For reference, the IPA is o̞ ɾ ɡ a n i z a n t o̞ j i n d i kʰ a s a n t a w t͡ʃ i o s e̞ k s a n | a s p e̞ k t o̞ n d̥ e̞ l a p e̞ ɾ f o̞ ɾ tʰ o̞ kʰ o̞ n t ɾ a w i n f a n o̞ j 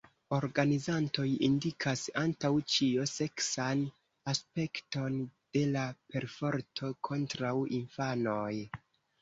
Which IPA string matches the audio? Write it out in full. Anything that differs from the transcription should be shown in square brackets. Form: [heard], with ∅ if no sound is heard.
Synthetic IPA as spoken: o̞ ɾ ɡ a n i z a n t o̞ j i n d i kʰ a s a n t a w t͡ʃ i o s e̞ k s a n | a s p e̞ k t o̞ n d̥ e̞ l a p e̞ ɾ f o̞ ɾ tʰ o̞ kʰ o̞ n t ɾ a w i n f a n o̞ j